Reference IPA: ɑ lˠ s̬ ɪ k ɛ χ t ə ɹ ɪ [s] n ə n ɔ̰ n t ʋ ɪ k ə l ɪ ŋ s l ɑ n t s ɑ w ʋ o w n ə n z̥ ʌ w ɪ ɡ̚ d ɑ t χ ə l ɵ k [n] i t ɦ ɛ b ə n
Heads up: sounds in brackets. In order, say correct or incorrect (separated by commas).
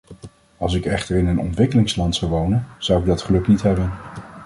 incorrect, correct